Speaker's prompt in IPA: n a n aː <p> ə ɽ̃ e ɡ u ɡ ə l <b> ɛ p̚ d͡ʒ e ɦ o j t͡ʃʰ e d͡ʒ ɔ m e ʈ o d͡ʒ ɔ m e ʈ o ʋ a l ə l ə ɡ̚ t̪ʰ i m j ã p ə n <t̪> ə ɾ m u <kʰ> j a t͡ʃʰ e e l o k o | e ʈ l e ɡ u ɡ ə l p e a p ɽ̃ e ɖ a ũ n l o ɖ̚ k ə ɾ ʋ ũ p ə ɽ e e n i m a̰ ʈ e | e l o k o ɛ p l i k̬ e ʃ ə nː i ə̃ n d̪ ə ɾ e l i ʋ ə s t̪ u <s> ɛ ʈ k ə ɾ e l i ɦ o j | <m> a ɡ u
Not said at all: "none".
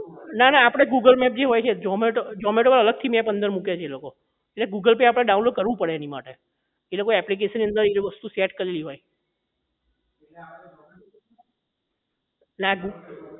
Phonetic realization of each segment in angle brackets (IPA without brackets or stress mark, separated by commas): p, m, d̪, k, s, n